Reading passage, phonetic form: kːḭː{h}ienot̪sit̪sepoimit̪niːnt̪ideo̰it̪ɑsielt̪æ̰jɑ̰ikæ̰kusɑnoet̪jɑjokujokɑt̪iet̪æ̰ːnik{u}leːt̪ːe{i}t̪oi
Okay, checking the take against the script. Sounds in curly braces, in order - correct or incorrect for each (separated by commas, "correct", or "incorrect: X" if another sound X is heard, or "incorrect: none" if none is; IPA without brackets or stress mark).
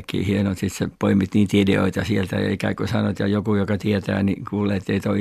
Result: correct, incorrect: uː, correct